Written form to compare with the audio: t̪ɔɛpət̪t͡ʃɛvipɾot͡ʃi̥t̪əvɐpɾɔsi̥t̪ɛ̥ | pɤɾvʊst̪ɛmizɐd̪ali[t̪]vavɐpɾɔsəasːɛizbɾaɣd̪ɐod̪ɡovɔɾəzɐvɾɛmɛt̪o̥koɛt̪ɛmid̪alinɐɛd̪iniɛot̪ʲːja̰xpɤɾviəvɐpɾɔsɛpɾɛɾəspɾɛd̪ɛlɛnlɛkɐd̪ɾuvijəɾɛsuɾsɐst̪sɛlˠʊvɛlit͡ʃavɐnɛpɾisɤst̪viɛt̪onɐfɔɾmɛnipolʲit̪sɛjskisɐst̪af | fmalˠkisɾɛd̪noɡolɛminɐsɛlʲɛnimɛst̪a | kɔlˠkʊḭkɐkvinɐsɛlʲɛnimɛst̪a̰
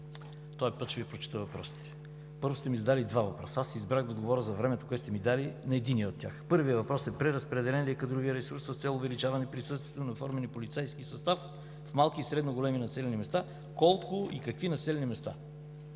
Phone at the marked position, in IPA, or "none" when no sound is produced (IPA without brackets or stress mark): d̪